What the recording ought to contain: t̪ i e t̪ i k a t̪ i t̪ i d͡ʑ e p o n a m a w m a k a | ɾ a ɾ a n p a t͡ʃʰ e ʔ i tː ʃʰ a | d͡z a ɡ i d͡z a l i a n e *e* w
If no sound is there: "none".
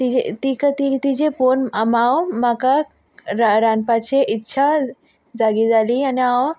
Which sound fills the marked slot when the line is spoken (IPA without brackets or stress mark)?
a